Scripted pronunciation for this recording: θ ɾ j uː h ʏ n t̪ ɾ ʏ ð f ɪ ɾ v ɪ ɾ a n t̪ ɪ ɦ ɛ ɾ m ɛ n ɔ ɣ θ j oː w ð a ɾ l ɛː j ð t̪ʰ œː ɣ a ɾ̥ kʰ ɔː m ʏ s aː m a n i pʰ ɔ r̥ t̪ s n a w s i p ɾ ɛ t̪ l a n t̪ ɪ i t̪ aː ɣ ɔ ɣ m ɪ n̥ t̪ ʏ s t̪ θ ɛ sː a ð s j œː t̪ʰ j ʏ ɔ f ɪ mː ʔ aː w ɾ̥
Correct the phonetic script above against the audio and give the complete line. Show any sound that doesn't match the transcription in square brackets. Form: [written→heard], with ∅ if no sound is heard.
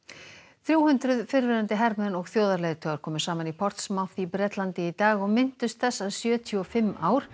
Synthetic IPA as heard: θ ɾ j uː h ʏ n t̪ ɾ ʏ ð f ɪ ɾ v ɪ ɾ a n t̪ ɪ ɦ ɛ ɾ m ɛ n ɔ ɣ θ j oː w ð a ɾ l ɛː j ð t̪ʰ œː ɣ a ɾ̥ kʰ ɔː m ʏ s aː m a n i pʰ ɔ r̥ t̪ s [n→m] a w [s→θ] i p ɾ ɛ t̪ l a n t̪ ɪ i t̪ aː ɣ ɔ ɣ m ɪ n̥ t̪ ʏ s t̪ θ ɛ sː a ð s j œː t̪ʰ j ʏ ɔ f ɪ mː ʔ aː w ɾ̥